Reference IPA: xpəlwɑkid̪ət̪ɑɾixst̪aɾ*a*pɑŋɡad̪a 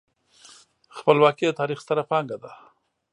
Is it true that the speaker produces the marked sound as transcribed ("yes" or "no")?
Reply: yes